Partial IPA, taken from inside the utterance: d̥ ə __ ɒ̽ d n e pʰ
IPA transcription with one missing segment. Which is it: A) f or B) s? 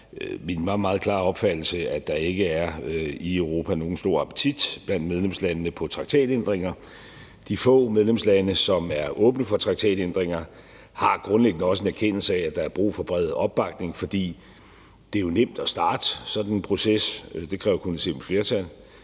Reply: B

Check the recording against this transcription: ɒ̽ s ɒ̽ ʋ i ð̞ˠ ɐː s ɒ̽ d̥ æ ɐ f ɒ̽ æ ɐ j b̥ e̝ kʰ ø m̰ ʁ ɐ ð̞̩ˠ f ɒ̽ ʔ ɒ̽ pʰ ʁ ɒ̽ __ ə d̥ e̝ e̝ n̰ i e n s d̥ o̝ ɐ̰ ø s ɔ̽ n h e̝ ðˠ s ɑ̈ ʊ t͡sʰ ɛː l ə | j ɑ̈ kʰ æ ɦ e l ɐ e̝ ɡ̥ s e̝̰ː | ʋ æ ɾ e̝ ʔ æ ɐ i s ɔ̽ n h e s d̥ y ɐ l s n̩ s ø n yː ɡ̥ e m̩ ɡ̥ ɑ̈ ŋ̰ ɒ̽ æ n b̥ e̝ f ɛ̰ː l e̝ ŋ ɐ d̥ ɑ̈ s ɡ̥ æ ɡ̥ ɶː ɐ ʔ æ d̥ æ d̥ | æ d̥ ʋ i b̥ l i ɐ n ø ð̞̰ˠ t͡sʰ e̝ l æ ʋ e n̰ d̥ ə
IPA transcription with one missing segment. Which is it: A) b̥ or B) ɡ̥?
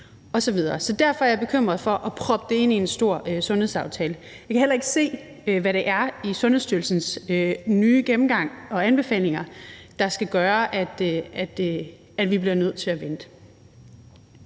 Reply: A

